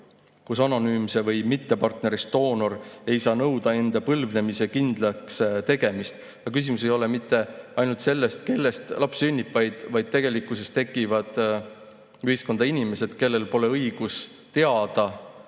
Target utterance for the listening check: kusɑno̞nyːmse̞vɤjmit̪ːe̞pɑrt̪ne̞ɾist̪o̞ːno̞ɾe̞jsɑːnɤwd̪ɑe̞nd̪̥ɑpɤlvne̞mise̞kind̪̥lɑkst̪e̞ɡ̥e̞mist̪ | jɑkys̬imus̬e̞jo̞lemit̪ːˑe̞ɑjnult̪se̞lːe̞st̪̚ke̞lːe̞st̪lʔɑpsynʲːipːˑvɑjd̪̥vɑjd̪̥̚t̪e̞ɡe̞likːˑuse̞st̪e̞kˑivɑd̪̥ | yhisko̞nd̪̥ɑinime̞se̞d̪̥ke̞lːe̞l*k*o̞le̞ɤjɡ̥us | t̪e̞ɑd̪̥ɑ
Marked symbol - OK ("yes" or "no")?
no